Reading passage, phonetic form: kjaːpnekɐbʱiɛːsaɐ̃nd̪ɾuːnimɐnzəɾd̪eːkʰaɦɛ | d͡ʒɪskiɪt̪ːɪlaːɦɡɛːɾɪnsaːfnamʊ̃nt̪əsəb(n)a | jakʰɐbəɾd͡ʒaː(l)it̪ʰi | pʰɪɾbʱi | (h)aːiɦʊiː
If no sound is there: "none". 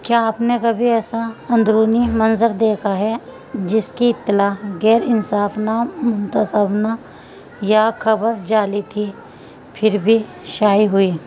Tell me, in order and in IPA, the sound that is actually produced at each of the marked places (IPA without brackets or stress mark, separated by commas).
n, l, ʃ